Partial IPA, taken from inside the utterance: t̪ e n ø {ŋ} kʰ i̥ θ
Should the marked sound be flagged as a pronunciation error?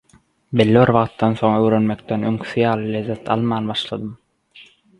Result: no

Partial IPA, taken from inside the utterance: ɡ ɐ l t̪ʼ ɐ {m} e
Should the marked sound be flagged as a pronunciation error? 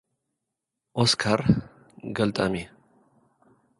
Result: no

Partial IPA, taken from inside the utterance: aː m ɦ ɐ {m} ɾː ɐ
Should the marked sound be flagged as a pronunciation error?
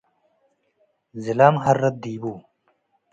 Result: yes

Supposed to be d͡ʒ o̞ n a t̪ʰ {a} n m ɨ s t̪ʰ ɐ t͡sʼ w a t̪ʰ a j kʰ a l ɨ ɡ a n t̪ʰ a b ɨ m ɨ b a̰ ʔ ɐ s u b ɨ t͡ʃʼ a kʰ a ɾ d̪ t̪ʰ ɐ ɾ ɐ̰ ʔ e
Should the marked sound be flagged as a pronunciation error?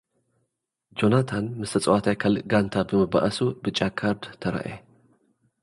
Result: no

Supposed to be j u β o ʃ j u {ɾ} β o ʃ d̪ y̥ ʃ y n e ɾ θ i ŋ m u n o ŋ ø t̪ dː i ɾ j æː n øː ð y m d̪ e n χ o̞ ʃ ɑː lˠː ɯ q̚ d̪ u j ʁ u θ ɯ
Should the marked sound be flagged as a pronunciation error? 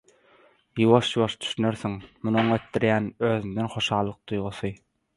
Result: yes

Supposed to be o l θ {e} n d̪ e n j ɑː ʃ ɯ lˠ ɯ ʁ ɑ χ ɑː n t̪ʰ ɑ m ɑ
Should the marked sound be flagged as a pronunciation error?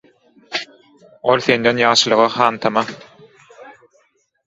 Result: no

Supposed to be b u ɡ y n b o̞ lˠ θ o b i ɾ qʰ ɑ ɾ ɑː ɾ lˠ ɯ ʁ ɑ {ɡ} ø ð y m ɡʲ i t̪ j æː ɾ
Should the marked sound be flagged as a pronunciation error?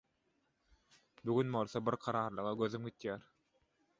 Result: no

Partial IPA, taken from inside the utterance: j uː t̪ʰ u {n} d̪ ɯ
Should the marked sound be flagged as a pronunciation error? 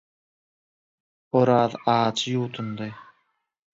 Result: no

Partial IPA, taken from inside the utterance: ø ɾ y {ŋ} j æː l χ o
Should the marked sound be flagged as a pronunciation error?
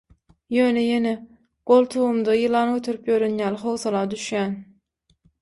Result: yes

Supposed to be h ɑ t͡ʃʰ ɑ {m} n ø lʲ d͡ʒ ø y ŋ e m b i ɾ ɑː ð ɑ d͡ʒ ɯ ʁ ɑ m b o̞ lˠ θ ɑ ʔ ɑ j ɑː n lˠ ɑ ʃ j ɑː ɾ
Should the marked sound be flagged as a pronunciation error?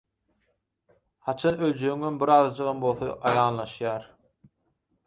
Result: yes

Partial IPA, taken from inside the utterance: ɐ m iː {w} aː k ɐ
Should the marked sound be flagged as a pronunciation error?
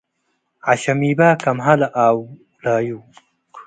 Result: yes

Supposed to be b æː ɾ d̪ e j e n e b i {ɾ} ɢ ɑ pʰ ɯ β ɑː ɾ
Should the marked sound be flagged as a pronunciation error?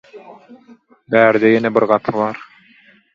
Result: no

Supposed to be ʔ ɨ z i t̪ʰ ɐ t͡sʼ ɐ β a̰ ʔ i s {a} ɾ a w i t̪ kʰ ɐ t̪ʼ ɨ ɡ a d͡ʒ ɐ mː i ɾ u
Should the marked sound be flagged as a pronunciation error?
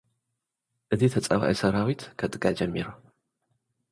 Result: yes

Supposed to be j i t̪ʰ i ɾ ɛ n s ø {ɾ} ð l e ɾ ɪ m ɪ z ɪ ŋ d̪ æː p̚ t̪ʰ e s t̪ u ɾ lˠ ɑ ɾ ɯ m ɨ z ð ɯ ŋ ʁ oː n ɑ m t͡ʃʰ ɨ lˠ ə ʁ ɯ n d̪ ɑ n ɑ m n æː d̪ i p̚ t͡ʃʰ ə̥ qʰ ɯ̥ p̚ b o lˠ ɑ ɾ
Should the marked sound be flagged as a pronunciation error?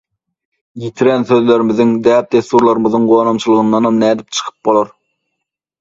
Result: yes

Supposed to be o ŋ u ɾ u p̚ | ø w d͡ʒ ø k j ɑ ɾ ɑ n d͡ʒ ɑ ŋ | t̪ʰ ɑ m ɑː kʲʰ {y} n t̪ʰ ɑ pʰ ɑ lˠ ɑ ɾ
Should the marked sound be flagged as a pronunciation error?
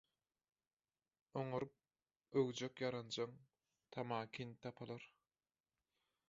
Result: yes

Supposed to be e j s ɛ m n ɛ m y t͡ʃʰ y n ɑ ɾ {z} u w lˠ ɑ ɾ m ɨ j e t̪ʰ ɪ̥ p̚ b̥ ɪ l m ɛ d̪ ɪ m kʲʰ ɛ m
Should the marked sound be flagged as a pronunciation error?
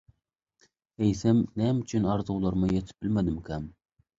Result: no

